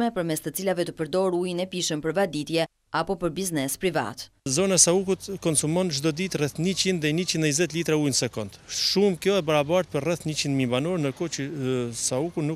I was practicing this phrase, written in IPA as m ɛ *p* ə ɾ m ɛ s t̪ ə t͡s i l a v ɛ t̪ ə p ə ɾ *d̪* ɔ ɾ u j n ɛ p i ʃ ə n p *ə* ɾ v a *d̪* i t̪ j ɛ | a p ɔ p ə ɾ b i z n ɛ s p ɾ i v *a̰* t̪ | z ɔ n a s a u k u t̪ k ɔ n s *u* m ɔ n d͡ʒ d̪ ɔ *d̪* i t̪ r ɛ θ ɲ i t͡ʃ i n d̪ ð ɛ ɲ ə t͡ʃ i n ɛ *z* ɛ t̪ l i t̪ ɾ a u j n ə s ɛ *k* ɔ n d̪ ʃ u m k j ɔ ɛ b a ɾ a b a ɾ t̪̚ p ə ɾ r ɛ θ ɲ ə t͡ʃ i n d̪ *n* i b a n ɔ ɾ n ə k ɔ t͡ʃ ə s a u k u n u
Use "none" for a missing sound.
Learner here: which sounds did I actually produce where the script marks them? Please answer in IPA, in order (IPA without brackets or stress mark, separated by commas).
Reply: p, d̪, ə, d̪, a̰, u, d̪, z, k, m